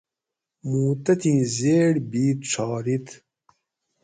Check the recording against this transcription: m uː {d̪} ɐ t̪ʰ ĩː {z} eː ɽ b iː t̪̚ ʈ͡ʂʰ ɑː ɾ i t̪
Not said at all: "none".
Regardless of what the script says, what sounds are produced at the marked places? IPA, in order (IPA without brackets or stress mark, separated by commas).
t̪, z